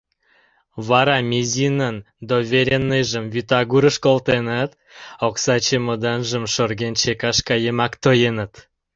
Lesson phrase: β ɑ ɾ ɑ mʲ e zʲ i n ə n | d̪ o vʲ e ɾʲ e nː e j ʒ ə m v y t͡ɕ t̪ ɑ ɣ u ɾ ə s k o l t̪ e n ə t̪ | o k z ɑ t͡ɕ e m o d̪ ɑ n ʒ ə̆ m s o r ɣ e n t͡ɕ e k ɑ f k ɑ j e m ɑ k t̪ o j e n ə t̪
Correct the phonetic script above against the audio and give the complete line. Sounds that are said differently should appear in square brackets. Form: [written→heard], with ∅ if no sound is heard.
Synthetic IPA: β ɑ ɾ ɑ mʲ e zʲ i n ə n | d̪ o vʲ e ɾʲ e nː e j ʒ ə m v y [t͡ɕ→∅] t̪ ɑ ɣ u ɾ ə [s→ʃ] k o l t̪ e n ə t̪ | o k [z→s] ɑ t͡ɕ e m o d̪ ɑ n ʒ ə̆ m [s→ʃ] o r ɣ e n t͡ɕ e k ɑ [f→ʃ] k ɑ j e m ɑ k t̪ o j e n ə t̪